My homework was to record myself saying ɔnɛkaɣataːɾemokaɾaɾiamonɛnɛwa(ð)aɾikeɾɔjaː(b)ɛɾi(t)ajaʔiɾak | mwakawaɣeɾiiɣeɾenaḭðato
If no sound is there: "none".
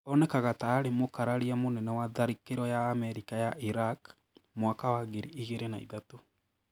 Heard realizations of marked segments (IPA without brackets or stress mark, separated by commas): ð, m, k